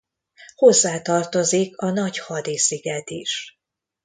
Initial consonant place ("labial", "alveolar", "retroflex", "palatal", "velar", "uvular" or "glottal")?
glottal